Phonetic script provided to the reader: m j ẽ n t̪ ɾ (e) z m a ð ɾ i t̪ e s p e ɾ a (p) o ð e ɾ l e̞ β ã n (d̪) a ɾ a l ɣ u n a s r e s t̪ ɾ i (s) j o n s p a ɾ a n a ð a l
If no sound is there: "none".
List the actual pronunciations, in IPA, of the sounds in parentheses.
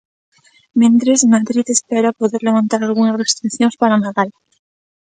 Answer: e, p, t̪, θ

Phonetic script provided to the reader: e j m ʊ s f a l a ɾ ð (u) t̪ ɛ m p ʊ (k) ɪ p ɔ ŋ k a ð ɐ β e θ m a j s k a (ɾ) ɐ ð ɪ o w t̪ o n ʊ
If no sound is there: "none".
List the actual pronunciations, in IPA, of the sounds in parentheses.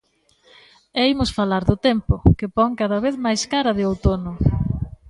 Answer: ʊ, k, ɾ

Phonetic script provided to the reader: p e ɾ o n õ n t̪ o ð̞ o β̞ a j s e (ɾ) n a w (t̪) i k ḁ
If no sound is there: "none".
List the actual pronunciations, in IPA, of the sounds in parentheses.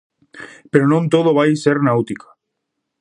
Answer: ɾ, t̪

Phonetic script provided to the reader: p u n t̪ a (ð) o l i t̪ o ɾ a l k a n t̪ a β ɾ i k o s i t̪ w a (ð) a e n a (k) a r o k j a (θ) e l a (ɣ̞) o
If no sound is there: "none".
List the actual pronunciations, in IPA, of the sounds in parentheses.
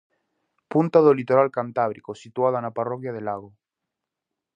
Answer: ð, ð, p, ð, ɣ̞

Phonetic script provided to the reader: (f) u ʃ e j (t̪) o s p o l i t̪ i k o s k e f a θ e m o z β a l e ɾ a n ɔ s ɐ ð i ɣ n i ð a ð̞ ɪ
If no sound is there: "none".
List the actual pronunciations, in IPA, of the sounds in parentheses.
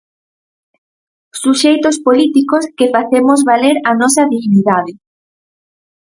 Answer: s, t̪

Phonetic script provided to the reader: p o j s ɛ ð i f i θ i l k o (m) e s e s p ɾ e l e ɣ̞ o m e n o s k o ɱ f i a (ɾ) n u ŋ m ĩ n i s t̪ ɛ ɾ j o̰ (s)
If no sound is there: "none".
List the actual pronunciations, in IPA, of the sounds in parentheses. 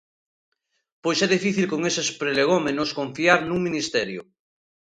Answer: ŋ, ɾ, none

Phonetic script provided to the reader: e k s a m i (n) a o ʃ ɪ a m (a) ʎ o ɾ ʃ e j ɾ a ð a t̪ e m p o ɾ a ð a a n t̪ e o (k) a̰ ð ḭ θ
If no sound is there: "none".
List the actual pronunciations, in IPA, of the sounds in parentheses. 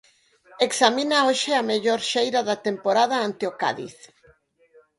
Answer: n, e, k

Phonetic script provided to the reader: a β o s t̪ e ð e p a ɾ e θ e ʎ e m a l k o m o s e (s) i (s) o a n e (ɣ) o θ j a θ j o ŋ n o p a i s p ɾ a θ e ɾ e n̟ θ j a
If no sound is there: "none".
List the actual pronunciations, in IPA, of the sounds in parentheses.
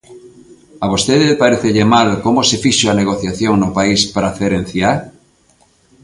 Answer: f, ʃ, ɣ

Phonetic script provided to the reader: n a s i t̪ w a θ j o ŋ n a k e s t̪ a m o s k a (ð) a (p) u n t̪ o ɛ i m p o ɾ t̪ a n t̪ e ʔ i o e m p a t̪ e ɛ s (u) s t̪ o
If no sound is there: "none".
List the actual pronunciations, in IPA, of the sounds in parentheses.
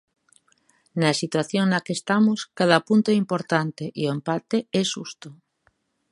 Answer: ð, p, u

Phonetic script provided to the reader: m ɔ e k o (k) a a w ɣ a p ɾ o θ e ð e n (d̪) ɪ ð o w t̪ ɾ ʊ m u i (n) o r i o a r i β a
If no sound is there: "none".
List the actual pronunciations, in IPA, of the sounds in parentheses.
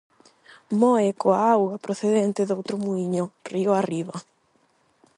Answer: none, t̪, ɲ

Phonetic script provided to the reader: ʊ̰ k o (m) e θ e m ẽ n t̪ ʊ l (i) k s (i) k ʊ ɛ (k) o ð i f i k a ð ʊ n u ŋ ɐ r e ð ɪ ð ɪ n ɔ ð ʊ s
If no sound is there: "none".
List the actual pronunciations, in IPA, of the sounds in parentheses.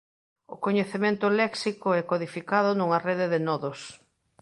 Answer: ɲ, ɛ, i, k

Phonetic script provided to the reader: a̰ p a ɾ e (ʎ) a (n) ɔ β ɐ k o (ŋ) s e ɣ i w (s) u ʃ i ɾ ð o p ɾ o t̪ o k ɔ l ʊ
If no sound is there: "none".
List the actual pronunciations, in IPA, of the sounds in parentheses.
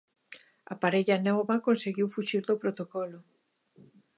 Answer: ʎ, n, n, f

